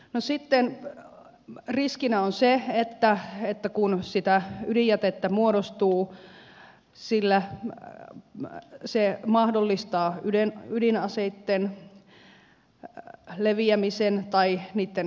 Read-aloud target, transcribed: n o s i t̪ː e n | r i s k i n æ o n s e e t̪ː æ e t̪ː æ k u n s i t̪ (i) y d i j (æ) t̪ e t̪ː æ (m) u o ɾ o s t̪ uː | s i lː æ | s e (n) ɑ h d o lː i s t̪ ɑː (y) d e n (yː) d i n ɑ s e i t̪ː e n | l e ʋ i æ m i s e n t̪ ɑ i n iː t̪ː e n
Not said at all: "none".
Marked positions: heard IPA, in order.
æ, æ, m, m, y, y

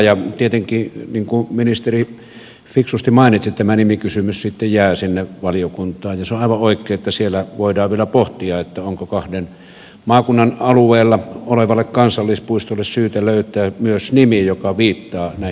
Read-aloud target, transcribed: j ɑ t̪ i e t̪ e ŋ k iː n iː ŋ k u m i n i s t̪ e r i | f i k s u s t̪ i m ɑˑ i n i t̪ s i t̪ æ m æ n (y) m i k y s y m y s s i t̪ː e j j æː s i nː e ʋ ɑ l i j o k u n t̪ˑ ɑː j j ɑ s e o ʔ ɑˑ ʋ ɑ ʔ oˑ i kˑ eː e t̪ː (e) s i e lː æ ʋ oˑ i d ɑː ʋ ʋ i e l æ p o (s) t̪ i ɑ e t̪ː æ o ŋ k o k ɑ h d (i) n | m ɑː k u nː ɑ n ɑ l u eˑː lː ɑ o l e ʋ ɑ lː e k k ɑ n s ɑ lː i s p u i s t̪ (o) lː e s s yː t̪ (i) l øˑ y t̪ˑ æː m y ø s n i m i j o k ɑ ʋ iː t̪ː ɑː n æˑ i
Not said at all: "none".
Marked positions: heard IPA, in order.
i, æ, h, e, o, æ

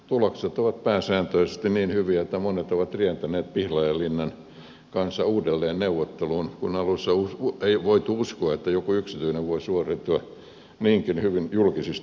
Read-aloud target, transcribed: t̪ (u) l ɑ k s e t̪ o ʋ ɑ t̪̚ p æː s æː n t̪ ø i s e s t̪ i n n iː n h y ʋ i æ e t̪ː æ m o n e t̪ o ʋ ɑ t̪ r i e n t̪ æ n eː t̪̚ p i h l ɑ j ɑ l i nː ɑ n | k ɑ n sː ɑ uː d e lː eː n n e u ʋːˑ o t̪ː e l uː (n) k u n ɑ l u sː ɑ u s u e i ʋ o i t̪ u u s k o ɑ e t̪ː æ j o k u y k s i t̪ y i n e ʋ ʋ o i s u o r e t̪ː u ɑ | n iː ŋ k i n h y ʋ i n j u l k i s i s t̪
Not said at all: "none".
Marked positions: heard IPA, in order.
u, n

